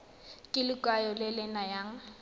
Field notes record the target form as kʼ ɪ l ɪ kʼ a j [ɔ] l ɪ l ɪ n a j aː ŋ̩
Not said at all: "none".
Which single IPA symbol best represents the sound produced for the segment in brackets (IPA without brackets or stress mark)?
ɔ